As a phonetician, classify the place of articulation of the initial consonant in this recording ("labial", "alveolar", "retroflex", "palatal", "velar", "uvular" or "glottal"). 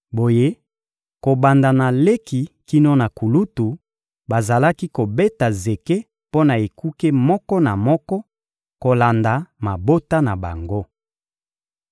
labial